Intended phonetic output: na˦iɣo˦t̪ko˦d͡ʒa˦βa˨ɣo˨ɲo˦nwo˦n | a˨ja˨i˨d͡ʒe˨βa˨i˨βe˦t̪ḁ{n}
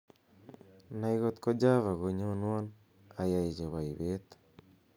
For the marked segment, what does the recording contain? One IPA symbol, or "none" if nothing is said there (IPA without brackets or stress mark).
none